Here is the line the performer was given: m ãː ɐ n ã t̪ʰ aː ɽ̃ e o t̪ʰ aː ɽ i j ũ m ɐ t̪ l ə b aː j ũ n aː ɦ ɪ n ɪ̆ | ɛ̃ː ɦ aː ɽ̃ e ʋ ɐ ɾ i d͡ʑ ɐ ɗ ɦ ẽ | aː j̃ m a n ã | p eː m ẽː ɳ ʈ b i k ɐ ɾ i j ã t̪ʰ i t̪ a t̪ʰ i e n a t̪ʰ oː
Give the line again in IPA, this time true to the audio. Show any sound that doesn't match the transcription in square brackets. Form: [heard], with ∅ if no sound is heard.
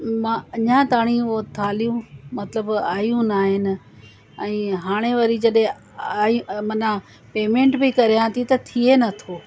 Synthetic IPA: m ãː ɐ [ɲ] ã [t̪] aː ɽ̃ [i] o t̪ʰ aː [l] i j ũ m ɐ t̪ l ə b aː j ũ n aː ɦ ɪ n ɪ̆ | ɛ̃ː ɦ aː ɽ̃ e ʋ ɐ ɾ i d͡ʑ ɐ ɗ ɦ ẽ | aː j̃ m [ɐ] n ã | p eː m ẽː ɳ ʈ b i k ɐ ɾ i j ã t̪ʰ i t̪ [ɐ] t̪ʰ i e n [ɐ] t̪ʰ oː

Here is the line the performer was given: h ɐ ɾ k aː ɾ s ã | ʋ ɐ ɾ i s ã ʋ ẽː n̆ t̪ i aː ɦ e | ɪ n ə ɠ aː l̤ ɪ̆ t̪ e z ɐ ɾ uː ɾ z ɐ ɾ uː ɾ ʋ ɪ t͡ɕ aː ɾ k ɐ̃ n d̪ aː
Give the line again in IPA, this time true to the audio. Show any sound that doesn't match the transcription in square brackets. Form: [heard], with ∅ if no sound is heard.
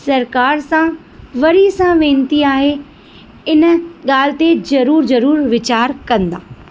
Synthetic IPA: [s] ɐ ɾ k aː ɾ s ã | ʋ ɐ ɾ i s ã ʋ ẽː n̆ t̪ i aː ɦ e | ɪ n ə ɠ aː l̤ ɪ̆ t̪ e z ɐ ɾ uː ɾ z ɐ ɾ uː ɾ ʋ ɪ t͡ɕ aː ɾ k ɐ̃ n d̪ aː

